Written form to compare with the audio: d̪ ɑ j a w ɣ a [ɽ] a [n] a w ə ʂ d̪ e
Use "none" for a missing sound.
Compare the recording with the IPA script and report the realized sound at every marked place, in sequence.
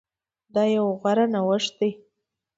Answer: ɾ, n

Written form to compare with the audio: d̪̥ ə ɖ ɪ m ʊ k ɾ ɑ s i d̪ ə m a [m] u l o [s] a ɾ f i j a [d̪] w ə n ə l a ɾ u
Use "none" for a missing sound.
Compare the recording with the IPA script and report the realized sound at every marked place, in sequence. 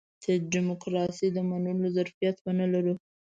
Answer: n, z, t̪

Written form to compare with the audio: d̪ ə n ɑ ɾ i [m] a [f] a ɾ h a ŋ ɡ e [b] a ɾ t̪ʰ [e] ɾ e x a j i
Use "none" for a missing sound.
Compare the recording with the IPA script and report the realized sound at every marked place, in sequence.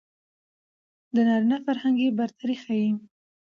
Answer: n, f, b, a

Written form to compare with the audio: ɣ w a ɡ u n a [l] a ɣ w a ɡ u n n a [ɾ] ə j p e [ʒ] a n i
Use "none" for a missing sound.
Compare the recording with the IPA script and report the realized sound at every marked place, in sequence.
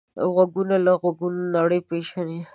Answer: l, ɽ, ʃ

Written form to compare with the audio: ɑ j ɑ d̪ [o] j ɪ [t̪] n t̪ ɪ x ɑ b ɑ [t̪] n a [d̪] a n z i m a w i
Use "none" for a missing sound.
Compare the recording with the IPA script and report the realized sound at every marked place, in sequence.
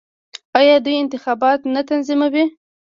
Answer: u, none, t̪, t̪

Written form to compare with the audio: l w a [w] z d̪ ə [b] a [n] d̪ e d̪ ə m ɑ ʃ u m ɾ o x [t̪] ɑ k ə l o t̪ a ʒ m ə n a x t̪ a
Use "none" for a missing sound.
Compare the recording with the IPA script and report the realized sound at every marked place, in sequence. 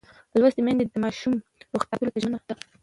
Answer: none, m, n, t̪

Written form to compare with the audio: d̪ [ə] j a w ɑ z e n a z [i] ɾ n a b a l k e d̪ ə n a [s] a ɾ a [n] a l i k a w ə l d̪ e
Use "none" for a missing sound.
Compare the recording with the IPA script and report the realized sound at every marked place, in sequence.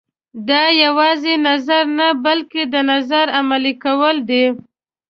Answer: ɑ, a, z, m

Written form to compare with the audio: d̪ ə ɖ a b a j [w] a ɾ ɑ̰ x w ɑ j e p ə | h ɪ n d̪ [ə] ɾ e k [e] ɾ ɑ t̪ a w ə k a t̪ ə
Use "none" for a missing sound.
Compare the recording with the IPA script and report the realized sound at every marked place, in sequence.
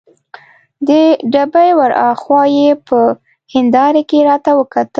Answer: w, ɑ, e

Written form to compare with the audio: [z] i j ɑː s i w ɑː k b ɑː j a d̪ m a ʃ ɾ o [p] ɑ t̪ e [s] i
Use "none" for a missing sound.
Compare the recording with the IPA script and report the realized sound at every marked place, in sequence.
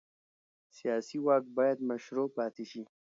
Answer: s, p, ʃ

